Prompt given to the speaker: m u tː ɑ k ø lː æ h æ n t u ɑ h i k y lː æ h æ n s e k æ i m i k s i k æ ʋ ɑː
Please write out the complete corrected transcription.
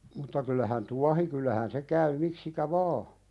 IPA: m u tː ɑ k y lː æ h æ n t u ɑ h i k y lː æ h æ n s e k æ y m i k s i k æ ʋ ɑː

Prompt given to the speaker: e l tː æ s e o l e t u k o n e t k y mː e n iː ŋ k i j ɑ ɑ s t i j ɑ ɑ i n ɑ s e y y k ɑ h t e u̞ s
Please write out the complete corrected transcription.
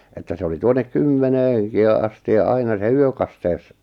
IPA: e tː æ s e o l i t u o n e k k y mː e n eː ŋ k i j ɑ ɑ s t i j ɑ ɑ i n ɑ s e y ø k ɑ s t e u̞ s

